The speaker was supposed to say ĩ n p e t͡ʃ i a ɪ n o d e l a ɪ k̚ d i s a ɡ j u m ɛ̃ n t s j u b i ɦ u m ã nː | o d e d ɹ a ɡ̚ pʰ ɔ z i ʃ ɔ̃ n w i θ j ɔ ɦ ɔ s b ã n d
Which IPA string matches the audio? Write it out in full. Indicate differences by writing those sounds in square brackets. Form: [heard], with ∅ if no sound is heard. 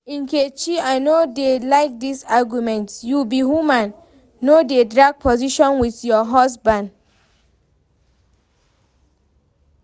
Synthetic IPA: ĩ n [k] e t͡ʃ i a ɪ n o d e l a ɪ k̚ d i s a ɡ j u m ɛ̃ n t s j u b i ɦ u m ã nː | o d e d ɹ a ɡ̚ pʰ ɔ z i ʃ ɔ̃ n w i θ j ɔ ɦ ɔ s b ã n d